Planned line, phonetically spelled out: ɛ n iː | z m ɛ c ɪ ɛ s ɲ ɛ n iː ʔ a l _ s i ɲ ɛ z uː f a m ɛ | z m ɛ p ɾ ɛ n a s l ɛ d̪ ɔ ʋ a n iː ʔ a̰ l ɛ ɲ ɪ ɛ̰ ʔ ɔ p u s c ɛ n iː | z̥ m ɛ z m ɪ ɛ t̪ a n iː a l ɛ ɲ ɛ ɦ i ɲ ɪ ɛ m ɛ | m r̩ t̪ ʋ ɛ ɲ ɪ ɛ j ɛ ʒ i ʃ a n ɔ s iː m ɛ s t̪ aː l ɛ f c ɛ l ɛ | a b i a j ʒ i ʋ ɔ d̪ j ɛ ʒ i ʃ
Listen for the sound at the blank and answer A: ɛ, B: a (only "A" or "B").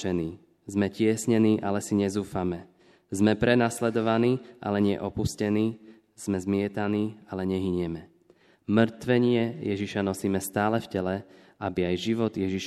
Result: A